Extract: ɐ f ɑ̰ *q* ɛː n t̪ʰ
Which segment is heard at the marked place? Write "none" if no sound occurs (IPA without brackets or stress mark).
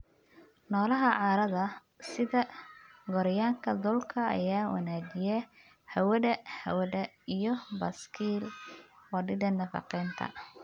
q